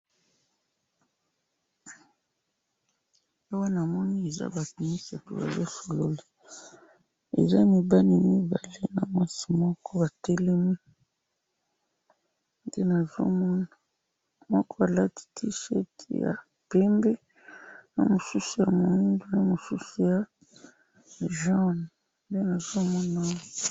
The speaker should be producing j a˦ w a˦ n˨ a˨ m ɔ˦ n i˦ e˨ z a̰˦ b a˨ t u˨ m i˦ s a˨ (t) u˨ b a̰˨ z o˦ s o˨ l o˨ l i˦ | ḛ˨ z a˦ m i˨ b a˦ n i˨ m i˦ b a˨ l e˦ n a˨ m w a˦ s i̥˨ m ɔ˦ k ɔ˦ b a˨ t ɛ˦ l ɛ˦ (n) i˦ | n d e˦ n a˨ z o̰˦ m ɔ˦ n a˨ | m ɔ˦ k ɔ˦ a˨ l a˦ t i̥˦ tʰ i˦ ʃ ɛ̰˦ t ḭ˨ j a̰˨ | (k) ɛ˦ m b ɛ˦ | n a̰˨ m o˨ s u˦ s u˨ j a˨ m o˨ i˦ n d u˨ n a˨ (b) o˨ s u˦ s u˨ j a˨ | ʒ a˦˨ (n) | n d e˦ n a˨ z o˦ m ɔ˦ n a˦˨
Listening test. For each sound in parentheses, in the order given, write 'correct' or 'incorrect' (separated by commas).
correct, incorrect, incorrect, incorrect, correct